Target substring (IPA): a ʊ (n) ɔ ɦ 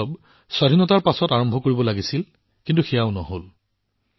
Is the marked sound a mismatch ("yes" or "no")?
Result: no